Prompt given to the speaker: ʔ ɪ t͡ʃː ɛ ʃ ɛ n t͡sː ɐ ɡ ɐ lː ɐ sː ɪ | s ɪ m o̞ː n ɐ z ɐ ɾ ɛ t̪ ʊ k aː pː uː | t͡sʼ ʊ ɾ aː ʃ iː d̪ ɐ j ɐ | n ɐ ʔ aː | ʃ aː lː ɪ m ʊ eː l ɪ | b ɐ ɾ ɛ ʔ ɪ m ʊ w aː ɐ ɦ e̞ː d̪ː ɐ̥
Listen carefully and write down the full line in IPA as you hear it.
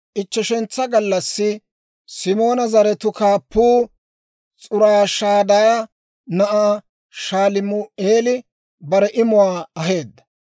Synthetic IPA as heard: ʔ ɪ t͡ʃː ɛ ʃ ɛ n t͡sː ɐ ɡ ɐ lː ɐ sː ɪ | s ɪ m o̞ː n ɐ z ɐ ɾ ɛ t̪ ʊ k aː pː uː | t͡sʼ ʊ ɾ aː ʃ aː d̪ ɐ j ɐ | n ɐ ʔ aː | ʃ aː l ɪ m ʊ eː l ɪ | b ɐ ɾ ɛ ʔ ɪ m ʊ w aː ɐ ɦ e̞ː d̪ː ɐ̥